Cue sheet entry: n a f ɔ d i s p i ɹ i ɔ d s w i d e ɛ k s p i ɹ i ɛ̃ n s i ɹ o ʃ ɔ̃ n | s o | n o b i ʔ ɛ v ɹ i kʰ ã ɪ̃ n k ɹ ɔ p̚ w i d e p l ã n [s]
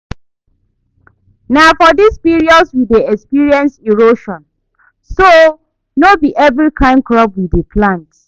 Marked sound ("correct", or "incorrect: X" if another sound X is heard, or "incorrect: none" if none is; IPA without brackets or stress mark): incorrect: t